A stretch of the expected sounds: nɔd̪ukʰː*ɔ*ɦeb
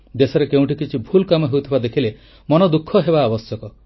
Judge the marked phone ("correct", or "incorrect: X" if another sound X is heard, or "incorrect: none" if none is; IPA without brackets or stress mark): correct